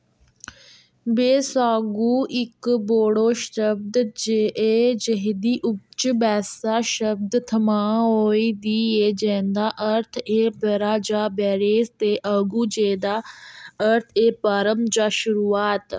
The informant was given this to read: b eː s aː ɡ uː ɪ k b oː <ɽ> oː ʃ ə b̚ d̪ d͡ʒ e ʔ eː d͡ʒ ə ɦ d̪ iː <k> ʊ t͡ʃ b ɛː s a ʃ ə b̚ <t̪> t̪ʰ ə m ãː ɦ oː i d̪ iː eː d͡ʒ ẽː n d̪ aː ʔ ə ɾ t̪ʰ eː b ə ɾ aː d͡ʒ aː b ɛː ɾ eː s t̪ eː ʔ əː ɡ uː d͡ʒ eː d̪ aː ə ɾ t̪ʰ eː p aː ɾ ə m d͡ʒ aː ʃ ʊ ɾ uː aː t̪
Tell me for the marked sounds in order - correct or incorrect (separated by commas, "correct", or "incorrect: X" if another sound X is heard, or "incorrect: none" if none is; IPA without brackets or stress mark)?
correct, incorrect: ʔ, incorrect: d̪